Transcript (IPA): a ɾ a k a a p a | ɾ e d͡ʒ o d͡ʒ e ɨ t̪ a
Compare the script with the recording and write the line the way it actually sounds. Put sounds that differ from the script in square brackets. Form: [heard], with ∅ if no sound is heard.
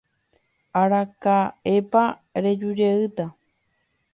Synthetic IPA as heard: a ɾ a k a [e] p a | ɾ e d͡ʒ [u] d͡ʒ e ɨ t̪ a